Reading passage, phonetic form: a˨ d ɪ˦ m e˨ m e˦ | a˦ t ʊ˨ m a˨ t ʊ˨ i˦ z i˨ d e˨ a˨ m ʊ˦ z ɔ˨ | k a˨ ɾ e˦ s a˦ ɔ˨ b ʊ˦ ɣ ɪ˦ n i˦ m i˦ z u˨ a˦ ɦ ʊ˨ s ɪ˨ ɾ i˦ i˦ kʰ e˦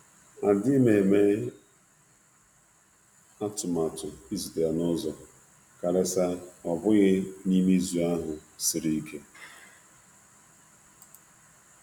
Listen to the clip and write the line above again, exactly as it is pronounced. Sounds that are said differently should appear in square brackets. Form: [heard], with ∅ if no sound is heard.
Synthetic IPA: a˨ d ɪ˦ m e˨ m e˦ | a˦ t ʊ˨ m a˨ t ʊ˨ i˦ z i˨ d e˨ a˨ [n] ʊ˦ z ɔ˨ | k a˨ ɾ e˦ s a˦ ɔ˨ b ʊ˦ ɣ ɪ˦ n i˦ m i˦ z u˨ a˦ ɦ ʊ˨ s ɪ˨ ɾ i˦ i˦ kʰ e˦